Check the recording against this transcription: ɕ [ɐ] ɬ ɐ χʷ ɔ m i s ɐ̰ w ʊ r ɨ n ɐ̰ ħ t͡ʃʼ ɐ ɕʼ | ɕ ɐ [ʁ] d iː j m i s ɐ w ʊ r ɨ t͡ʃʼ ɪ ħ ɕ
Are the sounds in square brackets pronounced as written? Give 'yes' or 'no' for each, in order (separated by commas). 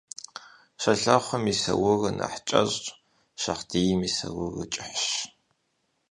yes, no